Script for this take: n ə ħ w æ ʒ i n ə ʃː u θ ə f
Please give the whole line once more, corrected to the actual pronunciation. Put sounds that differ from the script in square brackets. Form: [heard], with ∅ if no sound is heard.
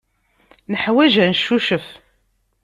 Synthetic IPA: n ə ħ w æ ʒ [æ] n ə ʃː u [ʃ] ə f